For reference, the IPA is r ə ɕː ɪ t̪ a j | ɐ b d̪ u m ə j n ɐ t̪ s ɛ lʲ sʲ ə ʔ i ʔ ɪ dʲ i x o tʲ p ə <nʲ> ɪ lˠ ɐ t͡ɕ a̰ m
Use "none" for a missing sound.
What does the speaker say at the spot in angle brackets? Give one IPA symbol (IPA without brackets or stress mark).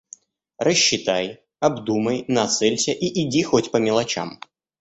mʲ